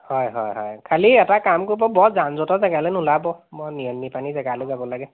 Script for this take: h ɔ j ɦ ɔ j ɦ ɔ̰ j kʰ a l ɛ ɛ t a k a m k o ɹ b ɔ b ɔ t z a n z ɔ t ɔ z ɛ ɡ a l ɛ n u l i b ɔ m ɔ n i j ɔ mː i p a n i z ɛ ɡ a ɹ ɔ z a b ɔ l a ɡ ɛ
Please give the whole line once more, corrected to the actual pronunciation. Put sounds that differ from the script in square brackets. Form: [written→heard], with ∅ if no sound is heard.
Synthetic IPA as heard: h ɔ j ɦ ɔ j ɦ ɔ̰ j kʰ a l [ɛ→i] ɛ t a k a m k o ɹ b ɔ b ɔ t z a n z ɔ t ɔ z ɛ ɡ a l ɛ n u l [i→a] b ɔ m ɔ n i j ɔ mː i p a n i z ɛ ɡ a [ɹ→l] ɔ z a b ɔ l a ɡ ɛ